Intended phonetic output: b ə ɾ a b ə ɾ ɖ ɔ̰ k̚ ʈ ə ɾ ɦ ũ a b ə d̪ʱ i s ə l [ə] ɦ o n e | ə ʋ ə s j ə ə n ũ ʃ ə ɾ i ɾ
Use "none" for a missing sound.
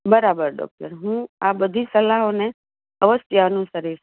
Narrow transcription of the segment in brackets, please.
a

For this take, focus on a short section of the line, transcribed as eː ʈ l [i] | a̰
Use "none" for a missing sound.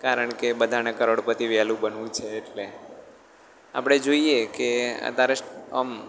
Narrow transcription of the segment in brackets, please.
e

